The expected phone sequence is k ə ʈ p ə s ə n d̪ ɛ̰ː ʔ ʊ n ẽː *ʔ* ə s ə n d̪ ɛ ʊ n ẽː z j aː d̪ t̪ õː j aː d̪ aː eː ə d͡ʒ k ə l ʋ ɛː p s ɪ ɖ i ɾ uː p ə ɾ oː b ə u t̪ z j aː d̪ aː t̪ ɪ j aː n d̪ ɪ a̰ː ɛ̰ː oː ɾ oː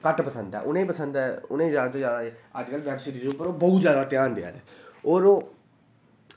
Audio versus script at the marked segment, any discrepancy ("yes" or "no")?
yes